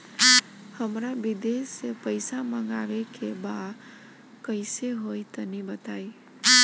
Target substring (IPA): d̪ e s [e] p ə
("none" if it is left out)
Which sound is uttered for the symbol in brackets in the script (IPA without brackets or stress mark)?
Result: e